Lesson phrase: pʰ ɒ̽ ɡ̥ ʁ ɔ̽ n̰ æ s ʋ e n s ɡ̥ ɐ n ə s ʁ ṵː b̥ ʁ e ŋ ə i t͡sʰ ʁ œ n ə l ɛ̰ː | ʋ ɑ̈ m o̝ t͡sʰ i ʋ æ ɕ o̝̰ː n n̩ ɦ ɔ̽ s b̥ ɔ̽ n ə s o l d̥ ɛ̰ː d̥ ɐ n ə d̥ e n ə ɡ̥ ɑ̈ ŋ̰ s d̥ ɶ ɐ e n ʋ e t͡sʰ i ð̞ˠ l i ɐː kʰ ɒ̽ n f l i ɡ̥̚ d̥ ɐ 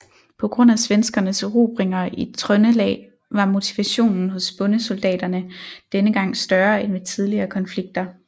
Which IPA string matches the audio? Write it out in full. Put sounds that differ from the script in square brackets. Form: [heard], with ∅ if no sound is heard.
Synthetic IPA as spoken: pʰ ɒ̽ ɡ̥ ʁ ɔ̽ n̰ æ s ʋ e n s ɡ̥ ɐ n ə s ʁ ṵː b̥ ʁ e ŋ [ɐ] i t͡sʰ ʁ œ n ə l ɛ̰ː | ʋ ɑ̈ m o̝ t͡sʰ i ʋ æ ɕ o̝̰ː n n̩ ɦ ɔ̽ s b̥ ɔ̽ n ə s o l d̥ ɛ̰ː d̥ ɐ n ə d̥ e n ə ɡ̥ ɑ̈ ŋ̰ s d̥ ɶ ɐ e n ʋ e t͡sʰ i ð̞ˠ l i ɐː kʰ ɒ̽ n f l i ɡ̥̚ d̥ ɐ